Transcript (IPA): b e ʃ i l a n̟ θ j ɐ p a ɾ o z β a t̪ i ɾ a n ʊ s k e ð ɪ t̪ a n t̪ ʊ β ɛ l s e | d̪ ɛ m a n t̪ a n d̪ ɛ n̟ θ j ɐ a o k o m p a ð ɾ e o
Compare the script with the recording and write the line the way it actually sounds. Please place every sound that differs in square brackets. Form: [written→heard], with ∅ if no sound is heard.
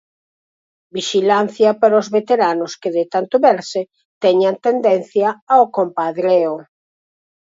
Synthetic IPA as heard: b [e→i] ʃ i l a n̟ θ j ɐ p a ɾ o z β [a→e] t̪ [i→e] ɾ a n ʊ s k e ð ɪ t̪ a n t̪ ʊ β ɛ [l→ɾ] s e | [d̪→t̪] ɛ [m→ɲ] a n t̪ [a→e] n d̪ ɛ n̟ θ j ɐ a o k o m p a ð ɾ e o